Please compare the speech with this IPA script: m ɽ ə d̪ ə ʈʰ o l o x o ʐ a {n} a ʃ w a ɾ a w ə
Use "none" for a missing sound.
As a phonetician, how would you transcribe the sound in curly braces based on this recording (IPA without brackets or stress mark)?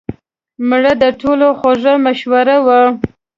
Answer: m